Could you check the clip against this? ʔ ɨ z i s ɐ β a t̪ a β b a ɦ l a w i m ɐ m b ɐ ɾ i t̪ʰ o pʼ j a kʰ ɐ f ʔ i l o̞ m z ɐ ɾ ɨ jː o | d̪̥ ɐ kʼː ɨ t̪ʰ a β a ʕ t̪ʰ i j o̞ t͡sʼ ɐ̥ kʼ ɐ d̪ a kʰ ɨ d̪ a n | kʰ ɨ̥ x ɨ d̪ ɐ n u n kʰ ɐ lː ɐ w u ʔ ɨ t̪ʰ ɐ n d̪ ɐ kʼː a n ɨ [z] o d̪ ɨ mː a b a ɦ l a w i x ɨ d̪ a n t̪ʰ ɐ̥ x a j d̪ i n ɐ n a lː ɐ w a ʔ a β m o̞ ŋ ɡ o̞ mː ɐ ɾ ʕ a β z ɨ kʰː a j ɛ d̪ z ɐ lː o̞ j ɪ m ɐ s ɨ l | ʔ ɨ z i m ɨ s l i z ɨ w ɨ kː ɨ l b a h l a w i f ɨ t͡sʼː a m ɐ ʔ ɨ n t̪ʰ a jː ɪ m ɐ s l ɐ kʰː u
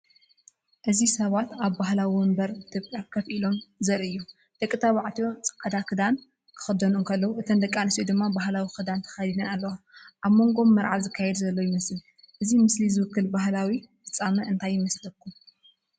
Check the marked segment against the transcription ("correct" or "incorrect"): incorrect